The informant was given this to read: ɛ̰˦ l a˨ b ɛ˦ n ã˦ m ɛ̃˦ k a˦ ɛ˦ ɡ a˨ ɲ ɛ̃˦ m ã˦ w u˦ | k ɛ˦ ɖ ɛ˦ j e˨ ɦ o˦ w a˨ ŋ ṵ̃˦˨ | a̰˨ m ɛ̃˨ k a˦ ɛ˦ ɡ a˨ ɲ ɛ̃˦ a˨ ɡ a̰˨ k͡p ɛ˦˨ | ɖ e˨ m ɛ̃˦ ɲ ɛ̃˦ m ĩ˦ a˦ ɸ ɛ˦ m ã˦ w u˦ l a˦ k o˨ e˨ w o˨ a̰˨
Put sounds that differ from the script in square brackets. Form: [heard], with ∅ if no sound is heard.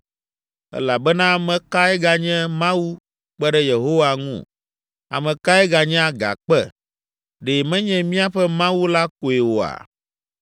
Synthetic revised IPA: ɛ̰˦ l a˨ b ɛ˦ n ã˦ m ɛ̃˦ k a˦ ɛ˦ ɡ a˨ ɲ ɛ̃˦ m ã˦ w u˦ | [k͡p] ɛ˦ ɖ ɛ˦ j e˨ ɦ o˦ w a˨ ŋ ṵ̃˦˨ | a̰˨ m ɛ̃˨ k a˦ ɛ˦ ɡ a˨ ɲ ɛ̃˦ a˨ ɡ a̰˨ k͡p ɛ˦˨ | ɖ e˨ m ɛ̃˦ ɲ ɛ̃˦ m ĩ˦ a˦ ɸ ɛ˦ m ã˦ w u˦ l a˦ k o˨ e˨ w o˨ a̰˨